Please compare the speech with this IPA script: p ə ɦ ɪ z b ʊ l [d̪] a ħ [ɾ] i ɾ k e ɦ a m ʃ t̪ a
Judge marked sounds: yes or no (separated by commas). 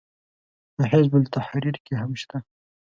no, yes